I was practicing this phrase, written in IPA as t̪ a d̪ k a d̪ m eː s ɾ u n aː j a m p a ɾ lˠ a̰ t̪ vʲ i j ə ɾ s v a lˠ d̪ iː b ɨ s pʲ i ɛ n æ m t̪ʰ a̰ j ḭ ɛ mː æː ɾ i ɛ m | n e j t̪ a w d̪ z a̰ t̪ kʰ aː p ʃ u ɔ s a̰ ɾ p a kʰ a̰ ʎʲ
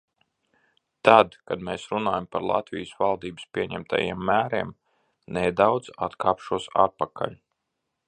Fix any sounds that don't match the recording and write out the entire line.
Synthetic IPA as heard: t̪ a d̪ k a d̪ m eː s ɾ u n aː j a m p a ɾ lˠ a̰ t̪ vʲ i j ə s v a lˠ d̪ iː b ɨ s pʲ i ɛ ɲ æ m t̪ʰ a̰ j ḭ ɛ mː æː ɾ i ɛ m | n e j d̪ a w d̪ z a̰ t̪ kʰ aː p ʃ u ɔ s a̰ ɾ p a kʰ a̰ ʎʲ